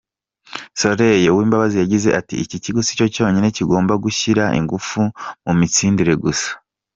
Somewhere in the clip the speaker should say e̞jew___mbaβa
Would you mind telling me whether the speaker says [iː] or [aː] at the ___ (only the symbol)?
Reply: iː